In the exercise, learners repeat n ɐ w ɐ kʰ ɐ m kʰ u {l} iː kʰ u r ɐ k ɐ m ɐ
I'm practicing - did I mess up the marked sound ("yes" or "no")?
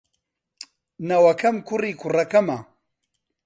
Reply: yes